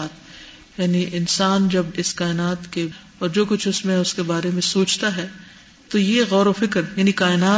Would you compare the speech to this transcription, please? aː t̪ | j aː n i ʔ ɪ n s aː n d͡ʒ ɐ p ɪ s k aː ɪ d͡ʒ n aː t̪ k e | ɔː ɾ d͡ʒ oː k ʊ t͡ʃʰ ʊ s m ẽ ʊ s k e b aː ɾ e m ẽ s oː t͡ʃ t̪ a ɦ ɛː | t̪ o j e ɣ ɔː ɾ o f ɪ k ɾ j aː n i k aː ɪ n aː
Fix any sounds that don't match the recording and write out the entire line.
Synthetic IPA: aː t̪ | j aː n i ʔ ɪ n s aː n d͡ʒ ɐ b ɪ s k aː ɪ n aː t̪ k e | ɔː ɾ d͡ʒ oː k ʊ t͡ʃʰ ʊ s m ẽ ʊ s k e b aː ɾ e m ẽ s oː t͡ʃ t̪ a ɦ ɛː | t̪ o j e ɣ ɔː ɾ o f ɪ k ɾ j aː n i k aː ɪ n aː